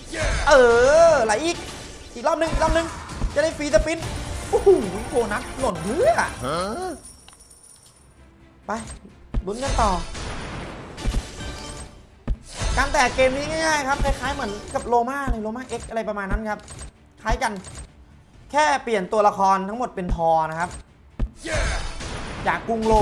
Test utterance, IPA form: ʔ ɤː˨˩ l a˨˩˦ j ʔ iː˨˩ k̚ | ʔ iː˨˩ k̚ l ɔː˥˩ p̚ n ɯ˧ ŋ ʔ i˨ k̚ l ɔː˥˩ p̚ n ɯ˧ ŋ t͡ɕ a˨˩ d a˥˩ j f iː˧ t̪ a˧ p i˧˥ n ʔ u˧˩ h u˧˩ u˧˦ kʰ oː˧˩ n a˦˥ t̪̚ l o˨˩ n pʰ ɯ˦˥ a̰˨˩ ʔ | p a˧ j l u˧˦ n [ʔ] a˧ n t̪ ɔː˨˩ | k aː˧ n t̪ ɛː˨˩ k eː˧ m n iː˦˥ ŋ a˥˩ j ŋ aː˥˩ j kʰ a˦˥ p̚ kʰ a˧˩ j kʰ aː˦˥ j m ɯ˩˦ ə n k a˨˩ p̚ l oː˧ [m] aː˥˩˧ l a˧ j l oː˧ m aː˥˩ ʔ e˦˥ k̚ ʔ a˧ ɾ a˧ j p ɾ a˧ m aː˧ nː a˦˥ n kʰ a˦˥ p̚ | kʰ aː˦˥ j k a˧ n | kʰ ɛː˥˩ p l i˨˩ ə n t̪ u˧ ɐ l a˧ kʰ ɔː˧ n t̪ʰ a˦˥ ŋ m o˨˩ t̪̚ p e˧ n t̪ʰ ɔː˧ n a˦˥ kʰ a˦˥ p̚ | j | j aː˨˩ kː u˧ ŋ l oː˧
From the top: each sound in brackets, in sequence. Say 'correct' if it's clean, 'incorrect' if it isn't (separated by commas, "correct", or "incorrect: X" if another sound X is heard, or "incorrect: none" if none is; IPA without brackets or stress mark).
incorrect: k, correct